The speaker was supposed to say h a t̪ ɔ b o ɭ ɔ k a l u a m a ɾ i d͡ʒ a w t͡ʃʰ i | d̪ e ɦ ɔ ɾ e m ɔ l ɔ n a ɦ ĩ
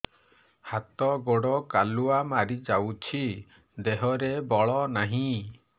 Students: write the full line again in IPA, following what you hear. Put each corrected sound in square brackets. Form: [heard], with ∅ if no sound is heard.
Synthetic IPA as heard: h a t̪ ɔ [ɡ] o [ɽ] ɔ k a l u a m a ɾ i d͡ʒ a w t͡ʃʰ i | d̪ e ɦ ɔ ɾ e [b] ɔ [ɭ] ɔ n a ɦ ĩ

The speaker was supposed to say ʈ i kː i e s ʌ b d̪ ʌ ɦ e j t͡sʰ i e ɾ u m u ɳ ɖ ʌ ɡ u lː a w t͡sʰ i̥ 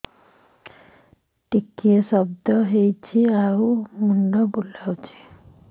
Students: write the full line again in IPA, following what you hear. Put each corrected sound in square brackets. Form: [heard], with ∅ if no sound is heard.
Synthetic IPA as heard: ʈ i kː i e s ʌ b d̪ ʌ ɦ e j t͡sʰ i [a] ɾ u m u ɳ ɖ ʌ [b] u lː a w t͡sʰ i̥

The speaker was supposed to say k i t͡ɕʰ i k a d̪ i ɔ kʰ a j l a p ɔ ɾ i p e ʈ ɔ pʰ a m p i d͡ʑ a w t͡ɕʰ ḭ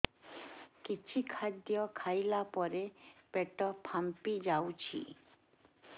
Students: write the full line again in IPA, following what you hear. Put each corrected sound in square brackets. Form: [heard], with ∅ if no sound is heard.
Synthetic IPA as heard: k i t͡ɕʰ i [kʰ] a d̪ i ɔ kʰ a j l a p ɔ ɾ [e] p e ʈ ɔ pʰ a m p i d͡ʑ a w t͡ɕʰ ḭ

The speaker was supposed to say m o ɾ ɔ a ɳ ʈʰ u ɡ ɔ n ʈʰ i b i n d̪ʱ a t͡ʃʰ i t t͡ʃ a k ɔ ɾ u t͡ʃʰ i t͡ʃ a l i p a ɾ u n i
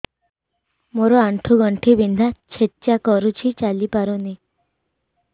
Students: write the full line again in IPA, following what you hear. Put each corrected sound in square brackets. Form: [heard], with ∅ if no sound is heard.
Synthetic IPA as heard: m o ɾ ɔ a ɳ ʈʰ u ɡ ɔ [ɳ] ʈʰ i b i n d̪ʱ a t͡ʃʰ [e] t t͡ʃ a k ɔ ɾ u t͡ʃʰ i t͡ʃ a l i p a ɾ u n i

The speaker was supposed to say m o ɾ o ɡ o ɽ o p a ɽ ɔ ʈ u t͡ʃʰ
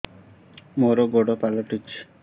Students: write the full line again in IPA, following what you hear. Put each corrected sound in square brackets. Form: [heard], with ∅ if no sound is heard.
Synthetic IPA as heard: m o ɾ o ɡ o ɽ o p a [l] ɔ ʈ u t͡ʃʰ

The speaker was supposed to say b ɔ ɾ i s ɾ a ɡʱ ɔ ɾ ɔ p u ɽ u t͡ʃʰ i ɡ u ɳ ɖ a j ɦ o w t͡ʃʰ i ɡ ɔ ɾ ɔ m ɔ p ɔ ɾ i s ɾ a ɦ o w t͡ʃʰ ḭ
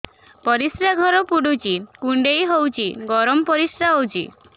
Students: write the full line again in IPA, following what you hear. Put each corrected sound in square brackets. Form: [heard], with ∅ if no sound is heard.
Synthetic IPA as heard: [p] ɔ ɾ i s ɾ a ɡʱ ɔ ɾ ɔ p u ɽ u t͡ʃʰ i [k] u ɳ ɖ [e] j ɦ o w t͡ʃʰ i ɡ ɔ ɾ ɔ m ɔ p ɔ ɾ i s ɾ a ɦ o w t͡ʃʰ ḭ

